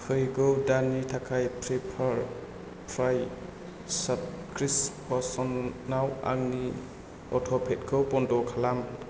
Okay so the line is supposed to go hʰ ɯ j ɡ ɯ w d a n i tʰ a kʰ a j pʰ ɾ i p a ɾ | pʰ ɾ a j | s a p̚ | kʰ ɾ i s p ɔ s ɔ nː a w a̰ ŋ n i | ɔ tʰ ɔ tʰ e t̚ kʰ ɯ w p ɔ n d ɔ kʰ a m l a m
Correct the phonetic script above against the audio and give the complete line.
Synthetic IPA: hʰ ɯ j ɡ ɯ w d a n i tʰ a kʰ a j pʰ ɾ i pʰ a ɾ | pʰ ɾ a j | s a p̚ | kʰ ɾ i s p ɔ s ɔ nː a w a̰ ŋ n i | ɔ tʰ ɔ pʰ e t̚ kʰ ɯ w p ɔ n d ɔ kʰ a l a m